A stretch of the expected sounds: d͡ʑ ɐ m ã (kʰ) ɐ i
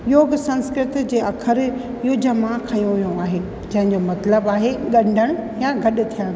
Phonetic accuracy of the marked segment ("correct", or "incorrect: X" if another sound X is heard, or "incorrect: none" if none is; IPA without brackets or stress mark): correct